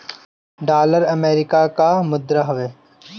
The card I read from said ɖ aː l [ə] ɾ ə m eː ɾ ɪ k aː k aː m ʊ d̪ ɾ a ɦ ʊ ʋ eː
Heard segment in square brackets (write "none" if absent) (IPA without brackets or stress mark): ə